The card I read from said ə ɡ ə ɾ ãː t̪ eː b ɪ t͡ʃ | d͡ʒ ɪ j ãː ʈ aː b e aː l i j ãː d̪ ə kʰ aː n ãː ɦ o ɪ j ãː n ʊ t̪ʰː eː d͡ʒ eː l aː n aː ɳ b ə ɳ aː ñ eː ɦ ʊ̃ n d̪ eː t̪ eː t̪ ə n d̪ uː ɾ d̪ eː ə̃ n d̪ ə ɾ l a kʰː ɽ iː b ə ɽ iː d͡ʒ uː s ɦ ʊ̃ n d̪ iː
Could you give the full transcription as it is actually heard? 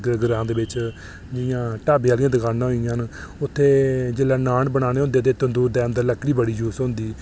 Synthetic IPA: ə ɡ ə ɾ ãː d̪ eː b ɪ t͡ʃ | d͡ʒ ɪ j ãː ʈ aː b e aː l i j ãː d̪ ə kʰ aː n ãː ɦ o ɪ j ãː n ʊ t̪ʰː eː d͡ʒ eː l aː n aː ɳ b ə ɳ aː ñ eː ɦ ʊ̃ n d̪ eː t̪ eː t̪ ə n d̪ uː ɾ d̪ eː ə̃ n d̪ ə ɾ l ə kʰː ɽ iː b ə ɽ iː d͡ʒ uː s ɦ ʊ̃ n d̪ iː